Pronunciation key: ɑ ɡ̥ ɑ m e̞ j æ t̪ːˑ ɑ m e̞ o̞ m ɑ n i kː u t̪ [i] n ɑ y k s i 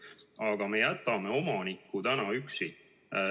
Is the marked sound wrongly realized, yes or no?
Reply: yes